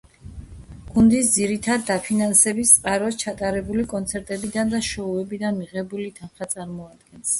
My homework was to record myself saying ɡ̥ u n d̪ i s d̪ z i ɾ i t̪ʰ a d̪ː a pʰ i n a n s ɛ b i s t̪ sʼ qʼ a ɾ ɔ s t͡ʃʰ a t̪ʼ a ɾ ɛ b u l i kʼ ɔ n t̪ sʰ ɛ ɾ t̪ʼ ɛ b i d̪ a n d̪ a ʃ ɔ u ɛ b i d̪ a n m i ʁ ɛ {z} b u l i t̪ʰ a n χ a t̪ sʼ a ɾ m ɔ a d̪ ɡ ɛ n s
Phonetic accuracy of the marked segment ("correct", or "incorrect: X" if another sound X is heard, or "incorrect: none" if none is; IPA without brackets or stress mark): incorrect: none